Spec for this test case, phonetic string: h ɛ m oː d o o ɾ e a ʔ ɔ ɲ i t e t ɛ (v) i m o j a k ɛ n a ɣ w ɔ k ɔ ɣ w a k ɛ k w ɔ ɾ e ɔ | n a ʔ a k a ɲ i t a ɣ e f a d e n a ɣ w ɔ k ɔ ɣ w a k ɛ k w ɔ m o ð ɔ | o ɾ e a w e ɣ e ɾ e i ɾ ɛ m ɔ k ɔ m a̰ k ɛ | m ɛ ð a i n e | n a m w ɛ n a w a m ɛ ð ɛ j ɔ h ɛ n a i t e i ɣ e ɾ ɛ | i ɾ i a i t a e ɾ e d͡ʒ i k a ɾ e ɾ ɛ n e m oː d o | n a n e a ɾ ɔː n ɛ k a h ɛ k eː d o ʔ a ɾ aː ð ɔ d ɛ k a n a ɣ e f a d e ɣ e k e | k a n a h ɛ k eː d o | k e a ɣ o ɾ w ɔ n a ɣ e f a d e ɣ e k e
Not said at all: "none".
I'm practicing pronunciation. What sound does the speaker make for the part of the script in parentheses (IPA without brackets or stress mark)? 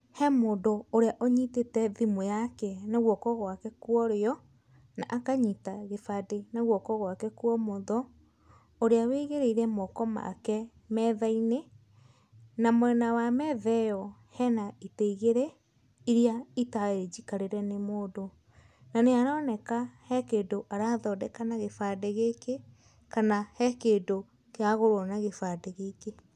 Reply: ð